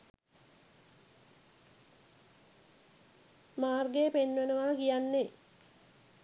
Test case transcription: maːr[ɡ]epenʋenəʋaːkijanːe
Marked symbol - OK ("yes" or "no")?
yes